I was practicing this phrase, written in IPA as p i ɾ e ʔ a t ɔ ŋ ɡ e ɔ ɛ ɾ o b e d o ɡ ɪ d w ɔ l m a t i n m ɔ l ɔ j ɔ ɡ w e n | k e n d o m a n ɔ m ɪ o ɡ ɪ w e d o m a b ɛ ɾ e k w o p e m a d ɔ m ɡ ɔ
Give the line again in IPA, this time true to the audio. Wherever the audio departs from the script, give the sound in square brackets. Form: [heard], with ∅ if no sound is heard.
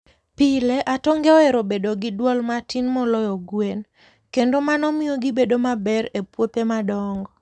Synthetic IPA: p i [l] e ʔ a t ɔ ŋ ɡ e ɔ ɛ ɾ o b e d o ɡ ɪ d w ɔ l m a t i n m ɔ l ɔ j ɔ ɡ w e n | k e n d o m a n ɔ m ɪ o ɡ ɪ [b] e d o m a b ɛ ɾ e [p] w o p e m a d ɔ [ŋ] ɡ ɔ